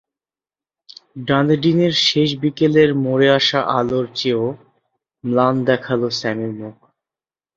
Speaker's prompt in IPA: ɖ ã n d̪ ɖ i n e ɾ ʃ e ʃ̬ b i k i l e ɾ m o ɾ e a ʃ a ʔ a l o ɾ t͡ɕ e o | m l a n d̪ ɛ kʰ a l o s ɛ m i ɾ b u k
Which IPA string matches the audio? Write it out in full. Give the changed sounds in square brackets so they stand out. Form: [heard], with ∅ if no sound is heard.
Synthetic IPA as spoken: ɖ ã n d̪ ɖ i n e ɾ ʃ e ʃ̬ b i k [e] l e ɾ m o ɾ e a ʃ a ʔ a l o ɾ t͡ɕ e o | m l a n d̪ ɛ kʰ a l o s ɛ m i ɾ [m] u k